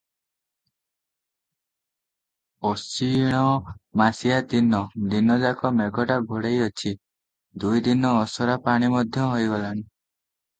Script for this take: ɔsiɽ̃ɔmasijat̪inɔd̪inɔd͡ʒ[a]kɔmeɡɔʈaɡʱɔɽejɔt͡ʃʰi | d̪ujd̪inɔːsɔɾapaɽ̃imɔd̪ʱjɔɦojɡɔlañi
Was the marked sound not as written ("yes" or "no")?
no